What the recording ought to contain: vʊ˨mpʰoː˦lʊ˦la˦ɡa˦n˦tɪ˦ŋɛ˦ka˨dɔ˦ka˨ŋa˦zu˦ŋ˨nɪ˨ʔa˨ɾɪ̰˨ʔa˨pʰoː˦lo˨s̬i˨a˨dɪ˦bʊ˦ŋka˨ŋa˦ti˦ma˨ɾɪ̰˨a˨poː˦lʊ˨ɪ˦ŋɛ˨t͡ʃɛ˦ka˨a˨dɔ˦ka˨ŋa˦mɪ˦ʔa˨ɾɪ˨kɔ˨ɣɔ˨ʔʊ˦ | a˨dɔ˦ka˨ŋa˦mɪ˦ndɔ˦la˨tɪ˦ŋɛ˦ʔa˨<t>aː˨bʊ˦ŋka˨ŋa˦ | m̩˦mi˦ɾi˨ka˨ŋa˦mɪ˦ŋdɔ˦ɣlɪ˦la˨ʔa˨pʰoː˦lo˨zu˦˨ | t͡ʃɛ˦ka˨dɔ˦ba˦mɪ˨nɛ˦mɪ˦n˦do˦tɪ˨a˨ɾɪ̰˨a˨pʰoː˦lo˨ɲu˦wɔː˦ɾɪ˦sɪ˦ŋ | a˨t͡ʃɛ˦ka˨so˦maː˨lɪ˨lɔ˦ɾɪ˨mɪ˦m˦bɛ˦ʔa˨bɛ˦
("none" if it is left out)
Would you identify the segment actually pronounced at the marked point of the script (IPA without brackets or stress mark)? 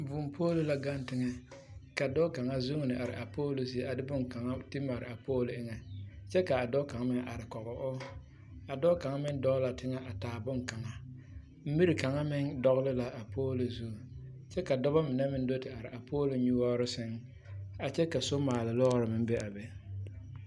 t